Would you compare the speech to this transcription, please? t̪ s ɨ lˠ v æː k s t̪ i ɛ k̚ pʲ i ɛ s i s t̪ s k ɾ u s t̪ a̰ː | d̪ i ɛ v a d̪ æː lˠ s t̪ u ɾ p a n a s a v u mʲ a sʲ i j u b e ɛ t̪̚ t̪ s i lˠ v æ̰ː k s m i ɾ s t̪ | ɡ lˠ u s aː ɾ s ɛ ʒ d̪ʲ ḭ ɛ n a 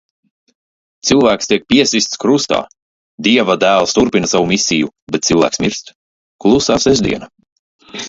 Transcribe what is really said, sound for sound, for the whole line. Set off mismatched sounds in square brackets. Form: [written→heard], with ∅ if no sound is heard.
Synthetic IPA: t̪ s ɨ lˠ v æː k s t̪ i ɛ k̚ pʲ i ɛ s i s t̪ s k ɾ u s t̪ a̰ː | d̪ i ɛ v a d̪ æː lˠ s t̪ u ɾ p [a→i] n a s a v u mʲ [a→i] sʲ i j u b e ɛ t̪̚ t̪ s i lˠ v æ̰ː k s m i ɾ s t̪ | [ɡ→k] lˠ u s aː [ɾ→∅] s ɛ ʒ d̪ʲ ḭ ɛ n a